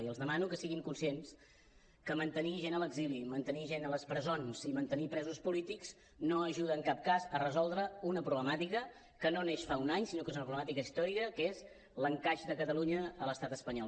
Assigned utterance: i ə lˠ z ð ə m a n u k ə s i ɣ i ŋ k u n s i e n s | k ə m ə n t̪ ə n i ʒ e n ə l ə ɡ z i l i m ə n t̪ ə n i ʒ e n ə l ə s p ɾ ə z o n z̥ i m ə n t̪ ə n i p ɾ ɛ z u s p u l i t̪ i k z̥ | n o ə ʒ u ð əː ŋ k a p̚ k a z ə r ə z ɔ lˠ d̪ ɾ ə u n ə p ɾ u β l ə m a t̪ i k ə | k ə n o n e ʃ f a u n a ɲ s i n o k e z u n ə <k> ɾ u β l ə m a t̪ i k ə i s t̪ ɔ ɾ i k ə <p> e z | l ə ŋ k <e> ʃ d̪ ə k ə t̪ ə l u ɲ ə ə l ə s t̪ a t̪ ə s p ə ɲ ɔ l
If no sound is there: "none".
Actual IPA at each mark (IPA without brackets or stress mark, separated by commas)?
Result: p, k, a